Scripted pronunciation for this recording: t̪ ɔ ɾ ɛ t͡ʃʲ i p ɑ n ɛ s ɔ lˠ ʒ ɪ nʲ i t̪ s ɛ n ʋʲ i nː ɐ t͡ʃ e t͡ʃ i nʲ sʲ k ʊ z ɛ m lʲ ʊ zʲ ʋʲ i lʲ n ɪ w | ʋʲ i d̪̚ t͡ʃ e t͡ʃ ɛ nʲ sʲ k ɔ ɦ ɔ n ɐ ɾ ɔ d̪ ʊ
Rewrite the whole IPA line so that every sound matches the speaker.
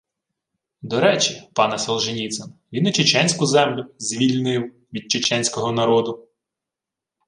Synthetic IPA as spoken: d̪ ɔ ɾ ɛ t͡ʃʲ i p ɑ n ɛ s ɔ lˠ ʒ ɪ nʲ i t̪ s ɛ n ʋʲ i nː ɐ t͡ʃ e t͡ʃ ɛ nʲ sʲ k ʊ z ɛ m lʲ ʊ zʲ ʋʲ i lʲ n ɪ w | ʋʲ i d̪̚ t͡ʃ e t͡ʃ ɛ nʲ sʲ k ɔ ɦ ɔ n ɐ ɾ ɔ d̪ ʊ